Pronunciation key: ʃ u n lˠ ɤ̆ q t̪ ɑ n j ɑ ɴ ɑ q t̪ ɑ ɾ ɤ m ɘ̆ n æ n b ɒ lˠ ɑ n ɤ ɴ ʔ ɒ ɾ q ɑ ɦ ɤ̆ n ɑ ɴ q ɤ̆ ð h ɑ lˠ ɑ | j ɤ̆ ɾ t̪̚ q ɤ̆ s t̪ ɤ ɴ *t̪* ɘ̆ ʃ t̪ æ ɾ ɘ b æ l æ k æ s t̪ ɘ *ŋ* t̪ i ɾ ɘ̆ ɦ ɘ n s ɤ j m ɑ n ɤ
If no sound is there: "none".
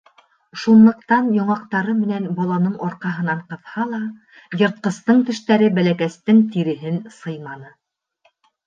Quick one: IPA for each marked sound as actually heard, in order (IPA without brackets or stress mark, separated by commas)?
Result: t̪, ŋ